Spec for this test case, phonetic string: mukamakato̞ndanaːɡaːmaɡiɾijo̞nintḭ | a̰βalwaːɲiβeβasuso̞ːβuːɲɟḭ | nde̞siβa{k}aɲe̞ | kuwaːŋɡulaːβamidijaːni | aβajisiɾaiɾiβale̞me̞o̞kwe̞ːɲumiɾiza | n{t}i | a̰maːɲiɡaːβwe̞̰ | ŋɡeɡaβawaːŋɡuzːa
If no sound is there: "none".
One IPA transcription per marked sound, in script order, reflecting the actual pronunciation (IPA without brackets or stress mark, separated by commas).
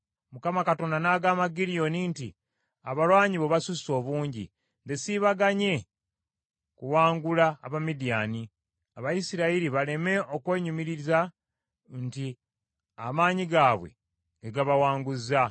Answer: ɡ, t